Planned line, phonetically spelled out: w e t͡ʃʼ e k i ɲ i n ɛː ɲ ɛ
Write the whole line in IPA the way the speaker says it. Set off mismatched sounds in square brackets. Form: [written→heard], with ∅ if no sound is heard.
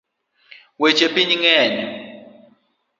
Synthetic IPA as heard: w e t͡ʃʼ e [k→p] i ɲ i [n→ŋ] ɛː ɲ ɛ